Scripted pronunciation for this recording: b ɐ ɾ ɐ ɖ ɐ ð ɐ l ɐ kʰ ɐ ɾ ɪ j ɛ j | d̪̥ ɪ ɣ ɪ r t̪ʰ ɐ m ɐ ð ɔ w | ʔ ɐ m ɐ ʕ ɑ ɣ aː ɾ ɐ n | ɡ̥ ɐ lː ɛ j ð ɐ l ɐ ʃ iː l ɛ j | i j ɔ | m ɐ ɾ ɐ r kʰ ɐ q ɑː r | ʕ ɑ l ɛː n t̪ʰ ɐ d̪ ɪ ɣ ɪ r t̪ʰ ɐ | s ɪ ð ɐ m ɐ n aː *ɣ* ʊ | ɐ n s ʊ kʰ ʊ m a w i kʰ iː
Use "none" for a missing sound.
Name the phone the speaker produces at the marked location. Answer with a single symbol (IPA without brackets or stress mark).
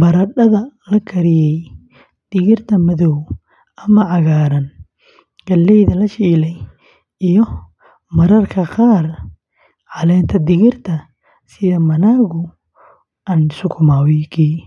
ɣ